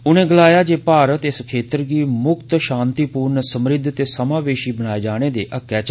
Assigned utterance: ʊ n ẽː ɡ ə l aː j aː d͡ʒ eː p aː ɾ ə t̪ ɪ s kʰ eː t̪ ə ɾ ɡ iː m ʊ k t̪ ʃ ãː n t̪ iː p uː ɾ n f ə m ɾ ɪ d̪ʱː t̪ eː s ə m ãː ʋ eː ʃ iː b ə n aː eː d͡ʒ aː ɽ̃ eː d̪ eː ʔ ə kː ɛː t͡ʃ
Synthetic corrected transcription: ʊ n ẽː ɡ ə l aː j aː d͡ʒ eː p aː ɾ ə t̪ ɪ s kʰ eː t̪ ə ɾ ɡ iː m ʊ k t̪ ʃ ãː n t̪ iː p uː ɾ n s ə m ɾ ɪ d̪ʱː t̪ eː s ə m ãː ʋ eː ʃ iː b ə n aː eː d͡ʒ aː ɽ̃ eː d̪ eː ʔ ə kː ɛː t͡ʃ